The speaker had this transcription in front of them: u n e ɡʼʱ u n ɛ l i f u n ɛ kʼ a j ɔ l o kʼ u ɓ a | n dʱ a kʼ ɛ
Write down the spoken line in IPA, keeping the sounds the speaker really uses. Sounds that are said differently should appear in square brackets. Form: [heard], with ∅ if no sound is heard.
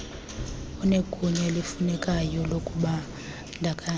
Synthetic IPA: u n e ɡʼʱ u [ɲ] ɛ l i f u n ɛ kʼ a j ɔ l o kʼ u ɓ a | n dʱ a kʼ [a]